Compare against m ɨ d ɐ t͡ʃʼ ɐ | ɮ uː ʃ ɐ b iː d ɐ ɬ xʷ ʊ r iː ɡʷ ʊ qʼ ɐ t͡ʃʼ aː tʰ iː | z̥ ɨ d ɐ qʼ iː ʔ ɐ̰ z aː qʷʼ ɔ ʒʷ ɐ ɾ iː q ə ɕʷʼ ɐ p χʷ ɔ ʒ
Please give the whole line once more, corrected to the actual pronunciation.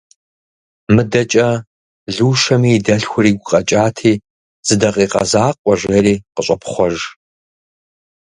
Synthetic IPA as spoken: m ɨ d ɐ t͡ʃʼ ɐ | ɮ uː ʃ ɐ m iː d ɐ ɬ xʷ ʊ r iː ɡʷ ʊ qʼ ɐ t͡ʃʼ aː tʰ iː | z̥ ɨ d ɐ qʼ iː q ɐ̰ z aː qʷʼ ɔ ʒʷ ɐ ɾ iː q ə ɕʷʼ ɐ p χʷ ɔ ʒ

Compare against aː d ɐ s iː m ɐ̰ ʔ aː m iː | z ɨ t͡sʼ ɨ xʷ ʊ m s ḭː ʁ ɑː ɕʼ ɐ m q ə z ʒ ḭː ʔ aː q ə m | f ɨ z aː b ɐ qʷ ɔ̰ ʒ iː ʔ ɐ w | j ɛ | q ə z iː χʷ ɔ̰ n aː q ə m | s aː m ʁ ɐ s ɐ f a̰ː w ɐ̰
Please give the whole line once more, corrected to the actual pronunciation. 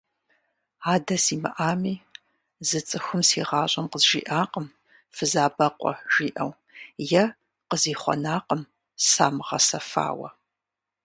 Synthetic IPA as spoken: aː d ɐ s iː m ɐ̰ ʔ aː m iː | z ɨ t͡sʼ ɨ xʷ ʊ m s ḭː ʁ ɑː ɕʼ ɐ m q ə z ʒ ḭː ʔ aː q ə m | f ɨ z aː b ɐ qʷ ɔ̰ ʒ iː ʔ ɐ w | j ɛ | q ə z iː χʷ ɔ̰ n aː q ə m | s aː m ʁ ɐ s ɐ f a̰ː w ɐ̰

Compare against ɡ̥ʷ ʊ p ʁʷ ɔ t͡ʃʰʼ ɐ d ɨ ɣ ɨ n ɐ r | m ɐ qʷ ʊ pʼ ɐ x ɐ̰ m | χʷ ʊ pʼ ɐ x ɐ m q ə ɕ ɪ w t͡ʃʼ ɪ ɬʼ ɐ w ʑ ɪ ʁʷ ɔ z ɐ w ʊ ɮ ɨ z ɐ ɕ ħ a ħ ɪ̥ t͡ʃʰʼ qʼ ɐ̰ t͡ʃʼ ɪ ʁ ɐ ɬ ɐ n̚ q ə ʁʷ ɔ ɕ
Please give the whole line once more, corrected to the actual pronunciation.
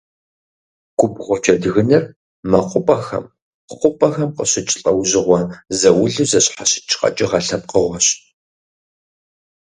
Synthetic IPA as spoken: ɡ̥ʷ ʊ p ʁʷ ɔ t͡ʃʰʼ ɐ d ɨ ɣ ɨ n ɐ r | m ɐ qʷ ʊ pʼ ɐ x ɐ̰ m | χʷ ʊ pʼ ɐ x ɐ m q ə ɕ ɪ t͡ʃʼ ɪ ɬʼ ɐ w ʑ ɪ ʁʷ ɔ z ɐ w ʊ ɮ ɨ z ɐ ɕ ħ a ɕ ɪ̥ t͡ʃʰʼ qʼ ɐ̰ t͡ʃʼ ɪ ʁ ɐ ɬ ɐ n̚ q ə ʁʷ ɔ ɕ

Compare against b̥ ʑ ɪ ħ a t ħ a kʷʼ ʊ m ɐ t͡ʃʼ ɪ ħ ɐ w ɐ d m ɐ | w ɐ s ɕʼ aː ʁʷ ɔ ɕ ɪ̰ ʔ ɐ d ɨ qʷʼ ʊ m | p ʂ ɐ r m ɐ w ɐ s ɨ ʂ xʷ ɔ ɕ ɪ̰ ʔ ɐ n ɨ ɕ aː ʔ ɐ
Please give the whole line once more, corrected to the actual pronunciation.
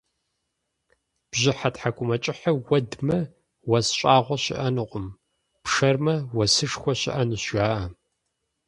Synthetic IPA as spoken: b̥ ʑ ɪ ħ a t ħ a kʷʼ ʊ m ɐ t͡ʃʼ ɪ ħ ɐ w ɐ d m ɐ | w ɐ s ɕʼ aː ʁʷ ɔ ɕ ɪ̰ ʔ ɐ n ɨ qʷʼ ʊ m | p ʂ ɐ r m ɐ w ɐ s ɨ ʂ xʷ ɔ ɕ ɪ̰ ʔ ɐ n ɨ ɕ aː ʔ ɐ

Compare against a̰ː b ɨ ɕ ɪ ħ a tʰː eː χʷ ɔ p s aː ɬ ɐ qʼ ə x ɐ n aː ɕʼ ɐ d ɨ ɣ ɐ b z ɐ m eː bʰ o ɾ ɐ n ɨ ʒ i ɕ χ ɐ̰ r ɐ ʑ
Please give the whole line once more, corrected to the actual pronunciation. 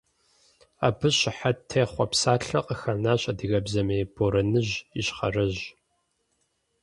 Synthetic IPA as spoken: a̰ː b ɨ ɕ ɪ ħ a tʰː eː χʷ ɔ p s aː ɬ ɐ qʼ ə x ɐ n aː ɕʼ ɐ d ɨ ɣ ɐ b z ɐ m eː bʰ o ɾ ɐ n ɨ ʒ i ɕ χ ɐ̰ r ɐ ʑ

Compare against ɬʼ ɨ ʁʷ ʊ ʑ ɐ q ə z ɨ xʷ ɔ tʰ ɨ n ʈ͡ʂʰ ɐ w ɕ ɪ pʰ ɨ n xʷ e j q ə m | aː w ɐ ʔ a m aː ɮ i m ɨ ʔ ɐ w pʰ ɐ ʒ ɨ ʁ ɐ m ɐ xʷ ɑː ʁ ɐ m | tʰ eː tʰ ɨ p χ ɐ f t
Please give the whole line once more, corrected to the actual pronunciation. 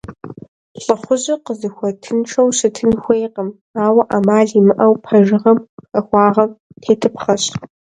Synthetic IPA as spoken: ɬʼ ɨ χʷ ʊ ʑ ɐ q ə z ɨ xʷ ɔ tʰ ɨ n ʈ͡ʂʰ ɐ w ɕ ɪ tʰ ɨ n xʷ e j q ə m | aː w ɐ ʔ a m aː ɮ i m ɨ ʔ ɐ w pʰ ɐ ʒ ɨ ʁ ɐ m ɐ xʷ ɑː ʁ ɐ m | tʰ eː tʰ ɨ p χ ɐ ɕ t

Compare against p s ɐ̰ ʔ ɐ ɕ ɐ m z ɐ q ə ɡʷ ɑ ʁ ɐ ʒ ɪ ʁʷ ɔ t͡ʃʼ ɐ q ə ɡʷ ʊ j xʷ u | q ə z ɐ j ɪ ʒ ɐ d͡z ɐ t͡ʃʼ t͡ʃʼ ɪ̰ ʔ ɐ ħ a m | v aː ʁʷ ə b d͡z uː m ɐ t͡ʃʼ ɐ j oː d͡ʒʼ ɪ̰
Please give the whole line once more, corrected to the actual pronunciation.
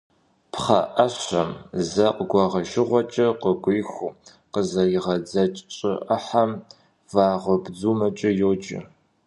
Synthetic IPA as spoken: p χ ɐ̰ ʔ ɐ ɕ ɐ m z ɐ q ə ɡʷ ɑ ʁ ɐ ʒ ɪ ʁʷ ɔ t͡ʃʼ ɐ q ə ɡʷ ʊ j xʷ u | q ə z ɐ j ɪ ʁ ɐ d͡z ɐ t͡ʃʼ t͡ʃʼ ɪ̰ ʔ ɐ ħ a m | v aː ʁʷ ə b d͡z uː m ɐ t͡ʃʼ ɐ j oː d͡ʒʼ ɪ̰

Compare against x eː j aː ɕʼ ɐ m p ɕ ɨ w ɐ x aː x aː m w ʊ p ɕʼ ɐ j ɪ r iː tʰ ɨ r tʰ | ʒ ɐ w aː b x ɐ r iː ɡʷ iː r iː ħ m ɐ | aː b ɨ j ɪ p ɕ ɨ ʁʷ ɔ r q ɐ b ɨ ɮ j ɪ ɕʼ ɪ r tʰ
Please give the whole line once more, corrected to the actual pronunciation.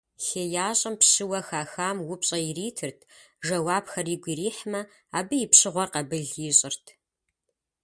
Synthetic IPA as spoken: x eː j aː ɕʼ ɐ m p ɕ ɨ w ɐ x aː x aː m w ʊ p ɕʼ ɐ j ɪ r iː tʰ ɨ r tʰ | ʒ ɐ w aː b x ɐ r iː ɡʷ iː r iː ħ m ɐ | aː b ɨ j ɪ p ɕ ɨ ʁʷ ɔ r q ɐ b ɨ ɮ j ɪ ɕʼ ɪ r tʰ

